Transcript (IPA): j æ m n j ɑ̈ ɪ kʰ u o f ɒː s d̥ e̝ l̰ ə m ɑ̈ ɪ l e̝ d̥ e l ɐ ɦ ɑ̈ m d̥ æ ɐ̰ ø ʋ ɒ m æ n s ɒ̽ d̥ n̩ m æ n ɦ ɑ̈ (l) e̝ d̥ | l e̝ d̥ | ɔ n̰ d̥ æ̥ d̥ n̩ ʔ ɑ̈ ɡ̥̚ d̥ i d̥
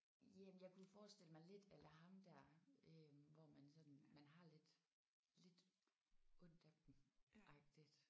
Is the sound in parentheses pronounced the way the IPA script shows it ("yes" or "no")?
yes